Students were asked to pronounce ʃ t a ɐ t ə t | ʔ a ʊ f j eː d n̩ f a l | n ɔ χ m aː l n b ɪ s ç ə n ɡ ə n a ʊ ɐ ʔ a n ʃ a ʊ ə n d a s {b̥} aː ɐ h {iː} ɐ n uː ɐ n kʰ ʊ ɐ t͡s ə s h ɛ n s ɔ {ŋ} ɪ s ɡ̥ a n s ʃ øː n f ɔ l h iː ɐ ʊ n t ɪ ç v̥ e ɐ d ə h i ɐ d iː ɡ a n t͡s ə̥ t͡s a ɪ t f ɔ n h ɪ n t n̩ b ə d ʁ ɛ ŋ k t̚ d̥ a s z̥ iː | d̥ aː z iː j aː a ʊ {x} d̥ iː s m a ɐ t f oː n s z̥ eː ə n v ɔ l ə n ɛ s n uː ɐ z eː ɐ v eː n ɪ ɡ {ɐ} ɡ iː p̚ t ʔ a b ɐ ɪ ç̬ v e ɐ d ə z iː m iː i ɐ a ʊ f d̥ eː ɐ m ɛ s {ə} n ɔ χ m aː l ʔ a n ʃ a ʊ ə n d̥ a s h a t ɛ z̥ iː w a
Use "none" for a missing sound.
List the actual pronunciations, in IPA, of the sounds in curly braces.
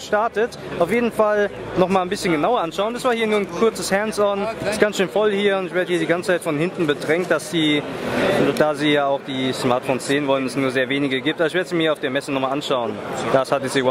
v̥, iː, n, x, ə, ə

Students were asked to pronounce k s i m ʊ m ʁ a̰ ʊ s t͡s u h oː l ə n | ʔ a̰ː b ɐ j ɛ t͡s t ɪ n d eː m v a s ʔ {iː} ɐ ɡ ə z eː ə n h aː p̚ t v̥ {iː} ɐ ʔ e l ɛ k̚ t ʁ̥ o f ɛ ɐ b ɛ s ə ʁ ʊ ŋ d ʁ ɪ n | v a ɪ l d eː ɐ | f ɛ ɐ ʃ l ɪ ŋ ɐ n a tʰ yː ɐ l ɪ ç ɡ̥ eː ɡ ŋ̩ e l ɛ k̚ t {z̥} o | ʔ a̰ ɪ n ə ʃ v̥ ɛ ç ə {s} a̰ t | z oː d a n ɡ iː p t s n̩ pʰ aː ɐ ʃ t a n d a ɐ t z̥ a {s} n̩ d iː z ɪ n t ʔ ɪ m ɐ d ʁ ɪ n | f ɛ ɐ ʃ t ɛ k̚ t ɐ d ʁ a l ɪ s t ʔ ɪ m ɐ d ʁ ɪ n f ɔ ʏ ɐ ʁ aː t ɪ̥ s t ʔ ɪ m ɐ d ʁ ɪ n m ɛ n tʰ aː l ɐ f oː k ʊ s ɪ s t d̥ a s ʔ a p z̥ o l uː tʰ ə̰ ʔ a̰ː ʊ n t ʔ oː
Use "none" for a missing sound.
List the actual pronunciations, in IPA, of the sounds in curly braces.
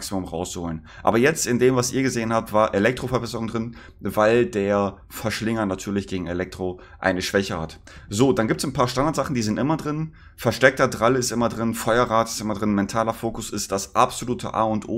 iː, aː, ʁ̥, h, χ

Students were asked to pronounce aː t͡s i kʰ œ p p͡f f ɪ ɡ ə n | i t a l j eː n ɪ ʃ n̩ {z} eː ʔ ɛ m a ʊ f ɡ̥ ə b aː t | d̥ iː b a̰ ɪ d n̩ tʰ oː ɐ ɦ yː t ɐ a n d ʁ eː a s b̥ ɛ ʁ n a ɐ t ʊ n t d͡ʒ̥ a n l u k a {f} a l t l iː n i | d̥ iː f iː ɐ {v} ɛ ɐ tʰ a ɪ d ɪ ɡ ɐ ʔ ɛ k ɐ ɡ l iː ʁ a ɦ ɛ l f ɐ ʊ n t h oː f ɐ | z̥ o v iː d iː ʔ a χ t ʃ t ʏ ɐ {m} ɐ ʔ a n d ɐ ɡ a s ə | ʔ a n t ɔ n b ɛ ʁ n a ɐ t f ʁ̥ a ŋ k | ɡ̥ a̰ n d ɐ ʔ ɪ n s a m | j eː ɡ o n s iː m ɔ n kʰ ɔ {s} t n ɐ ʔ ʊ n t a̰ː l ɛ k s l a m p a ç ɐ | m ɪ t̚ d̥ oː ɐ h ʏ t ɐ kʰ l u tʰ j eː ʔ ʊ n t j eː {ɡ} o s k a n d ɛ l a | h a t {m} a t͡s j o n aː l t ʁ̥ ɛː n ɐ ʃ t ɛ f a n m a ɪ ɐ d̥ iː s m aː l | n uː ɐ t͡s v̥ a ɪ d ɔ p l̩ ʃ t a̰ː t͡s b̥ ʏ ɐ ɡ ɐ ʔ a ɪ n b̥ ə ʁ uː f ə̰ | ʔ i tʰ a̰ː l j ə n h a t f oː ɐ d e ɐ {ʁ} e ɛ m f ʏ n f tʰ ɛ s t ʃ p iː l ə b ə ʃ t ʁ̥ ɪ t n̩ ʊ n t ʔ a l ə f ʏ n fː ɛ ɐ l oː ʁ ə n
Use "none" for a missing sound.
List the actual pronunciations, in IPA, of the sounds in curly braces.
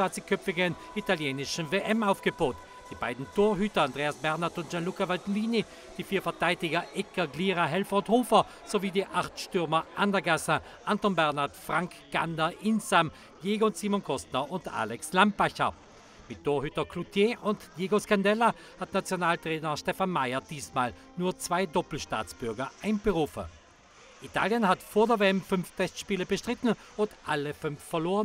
v, v, f, m, s, ɡ, n, v

